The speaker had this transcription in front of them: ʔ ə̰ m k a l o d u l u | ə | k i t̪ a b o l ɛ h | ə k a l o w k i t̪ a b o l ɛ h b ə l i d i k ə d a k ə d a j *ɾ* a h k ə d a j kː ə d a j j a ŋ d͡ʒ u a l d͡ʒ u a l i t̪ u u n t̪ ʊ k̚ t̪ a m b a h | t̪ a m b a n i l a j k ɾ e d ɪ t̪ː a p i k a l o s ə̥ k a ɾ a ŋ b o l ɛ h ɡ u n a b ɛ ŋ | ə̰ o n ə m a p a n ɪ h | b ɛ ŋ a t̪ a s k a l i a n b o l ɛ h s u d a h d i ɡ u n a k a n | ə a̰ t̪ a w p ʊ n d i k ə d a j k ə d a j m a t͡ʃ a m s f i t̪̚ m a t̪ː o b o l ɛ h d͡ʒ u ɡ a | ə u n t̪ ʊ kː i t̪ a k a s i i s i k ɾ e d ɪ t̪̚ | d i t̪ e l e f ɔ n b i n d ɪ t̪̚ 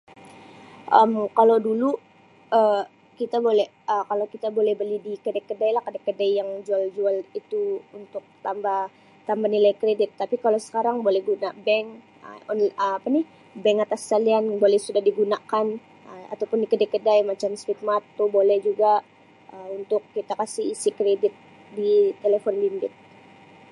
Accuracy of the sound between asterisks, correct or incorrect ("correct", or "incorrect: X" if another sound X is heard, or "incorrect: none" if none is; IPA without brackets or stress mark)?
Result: incorrect: l